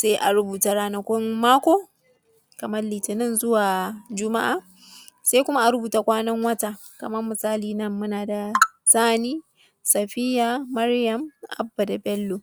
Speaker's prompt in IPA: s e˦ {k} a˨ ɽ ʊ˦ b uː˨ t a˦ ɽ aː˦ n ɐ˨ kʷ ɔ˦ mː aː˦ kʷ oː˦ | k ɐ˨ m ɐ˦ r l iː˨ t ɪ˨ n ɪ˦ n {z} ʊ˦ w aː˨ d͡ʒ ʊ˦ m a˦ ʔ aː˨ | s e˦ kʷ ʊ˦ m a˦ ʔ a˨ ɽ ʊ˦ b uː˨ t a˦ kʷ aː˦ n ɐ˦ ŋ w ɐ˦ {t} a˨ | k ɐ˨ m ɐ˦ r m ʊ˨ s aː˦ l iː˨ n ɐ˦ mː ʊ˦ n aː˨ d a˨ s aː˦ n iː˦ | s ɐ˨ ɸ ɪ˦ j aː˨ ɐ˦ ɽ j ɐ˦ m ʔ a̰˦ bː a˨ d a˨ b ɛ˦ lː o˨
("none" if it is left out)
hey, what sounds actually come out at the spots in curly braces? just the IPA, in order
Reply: ʔ, z, t

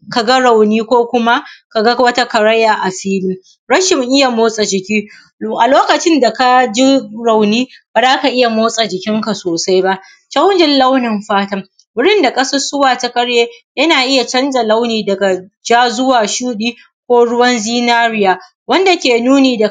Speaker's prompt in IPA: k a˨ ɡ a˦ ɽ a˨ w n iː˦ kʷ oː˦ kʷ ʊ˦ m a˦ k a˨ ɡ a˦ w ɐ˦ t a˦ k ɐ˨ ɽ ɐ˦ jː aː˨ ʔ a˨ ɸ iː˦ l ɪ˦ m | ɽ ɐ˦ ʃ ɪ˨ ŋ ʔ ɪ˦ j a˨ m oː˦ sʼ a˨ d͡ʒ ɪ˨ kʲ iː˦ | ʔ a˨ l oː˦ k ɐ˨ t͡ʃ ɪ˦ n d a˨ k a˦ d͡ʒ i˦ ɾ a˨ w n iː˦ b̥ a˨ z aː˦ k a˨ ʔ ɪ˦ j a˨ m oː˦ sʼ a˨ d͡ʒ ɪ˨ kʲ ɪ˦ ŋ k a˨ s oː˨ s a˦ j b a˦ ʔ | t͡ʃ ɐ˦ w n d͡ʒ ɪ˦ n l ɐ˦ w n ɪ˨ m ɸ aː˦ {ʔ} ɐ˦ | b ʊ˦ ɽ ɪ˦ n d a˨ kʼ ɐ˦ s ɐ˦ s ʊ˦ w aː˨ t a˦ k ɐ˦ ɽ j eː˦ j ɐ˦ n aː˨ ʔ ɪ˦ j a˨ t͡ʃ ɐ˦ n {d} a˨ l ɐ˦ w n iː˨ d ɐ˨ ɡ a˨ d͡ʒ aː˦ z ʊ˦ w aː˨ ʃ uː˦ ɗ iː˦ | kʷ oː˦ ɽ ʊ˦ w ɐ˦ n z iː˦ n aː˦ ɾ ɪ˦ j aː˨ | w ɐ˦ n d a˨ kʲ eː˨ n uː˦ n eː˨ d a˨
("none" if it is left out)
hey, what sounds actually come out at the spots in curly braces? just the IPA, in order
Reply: t, d͡ʒ

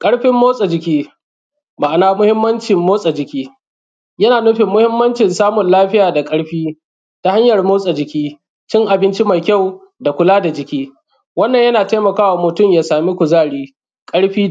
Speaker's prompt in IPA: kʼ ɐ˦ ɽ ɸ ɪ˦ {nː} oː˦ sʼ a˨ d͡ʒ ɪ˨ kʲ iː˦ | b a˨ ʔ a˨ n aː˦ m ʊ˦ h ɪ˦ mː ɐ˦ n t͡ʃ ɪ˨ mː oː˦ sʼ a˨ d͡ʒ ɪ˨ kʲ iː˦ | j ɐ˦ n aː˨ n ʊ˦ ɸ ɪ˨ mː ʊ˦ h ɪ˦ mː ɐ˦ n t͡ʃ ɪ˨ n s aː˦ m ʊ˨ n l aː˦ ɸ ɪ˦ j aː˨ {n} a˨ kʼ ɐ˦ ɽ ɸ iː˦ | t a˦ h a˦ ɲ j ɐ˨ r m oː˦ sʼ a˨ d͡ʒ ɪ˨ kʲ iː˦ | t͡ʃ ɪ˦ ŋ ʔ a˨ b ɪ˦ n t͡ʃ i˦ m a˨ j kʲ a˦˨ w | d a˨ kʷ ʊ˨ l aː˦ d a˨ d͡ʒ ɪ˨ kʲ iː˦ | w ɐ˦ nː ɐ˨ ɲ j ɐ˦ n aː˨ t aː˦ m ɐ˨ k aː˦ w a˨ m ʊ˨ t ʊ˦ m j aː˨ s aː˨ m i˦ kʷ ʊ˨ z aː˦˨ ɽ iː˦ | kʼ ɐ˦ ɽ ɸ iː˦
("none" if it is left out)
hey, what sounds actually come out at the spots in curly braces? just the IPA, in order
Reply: mː, d

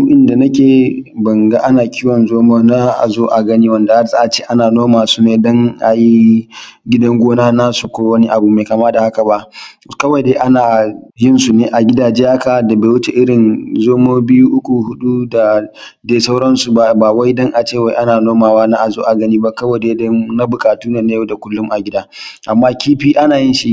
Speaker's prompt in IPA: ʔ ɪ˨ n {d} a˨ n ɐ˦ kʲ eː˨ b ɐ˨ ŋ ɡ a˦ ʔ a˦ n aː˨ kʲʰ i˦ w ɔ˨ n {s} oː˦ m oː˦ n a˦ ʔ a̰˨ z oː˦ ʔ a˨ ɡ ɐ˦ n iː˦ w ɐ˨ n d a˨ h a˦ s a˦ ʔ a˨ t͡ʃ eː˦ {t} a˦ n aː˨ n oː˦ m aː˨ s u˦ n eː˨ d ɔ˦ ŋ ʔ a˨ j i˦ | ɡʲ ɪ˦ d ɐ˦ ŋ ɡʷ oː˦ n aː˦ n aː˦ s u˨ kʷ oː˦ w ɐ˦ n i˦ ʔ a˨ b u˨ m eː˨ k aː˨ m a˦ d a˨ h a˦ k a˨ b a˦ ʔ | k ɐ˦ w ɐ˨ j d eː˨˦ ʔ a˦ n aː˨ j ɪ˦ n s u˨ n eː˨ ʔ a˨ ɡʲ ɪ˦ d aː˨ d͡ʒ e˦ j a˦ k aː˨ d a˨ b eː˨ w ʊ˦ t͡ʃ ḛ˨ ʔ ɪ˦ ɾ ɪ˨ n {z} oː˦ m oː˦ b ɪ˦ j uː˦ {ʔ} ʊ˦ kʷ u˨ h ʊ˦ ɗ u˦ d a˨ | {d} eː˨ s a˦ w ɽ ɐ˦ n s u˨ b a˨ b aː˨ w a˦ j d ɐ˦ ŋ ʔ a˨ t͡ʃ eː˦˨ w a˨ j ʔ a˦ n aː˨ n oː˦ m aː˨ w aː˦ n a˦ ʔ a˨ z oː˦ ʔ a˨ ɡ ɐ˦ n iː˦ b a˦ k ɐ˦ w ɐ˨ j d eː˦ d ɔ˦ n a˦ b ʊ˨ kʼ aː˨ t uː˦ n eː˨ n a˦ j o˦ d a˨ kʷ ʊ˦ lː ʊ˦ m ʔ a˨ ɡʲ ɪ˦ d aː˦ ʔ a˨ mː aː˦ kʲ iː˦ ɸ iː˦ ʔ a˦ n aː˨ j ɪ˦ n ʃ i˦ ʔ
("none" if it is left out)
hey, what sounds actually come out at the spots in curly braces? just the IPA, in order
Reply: d, z, ʔ, z, ʔ, d

